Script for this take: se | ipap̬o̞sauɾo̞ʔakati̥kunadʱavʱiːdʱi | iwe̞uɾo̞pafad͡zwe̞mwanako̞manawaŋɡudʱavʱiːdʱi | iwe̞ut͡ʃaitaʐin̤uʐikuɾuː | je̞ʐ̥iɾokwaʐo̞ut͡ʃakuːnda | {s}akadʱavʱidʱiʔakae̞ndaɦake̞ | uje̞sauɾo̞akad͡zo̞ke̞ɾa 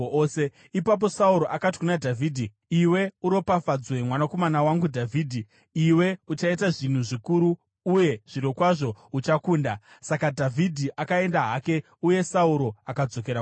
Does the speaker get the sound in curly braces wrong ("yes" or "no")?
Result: no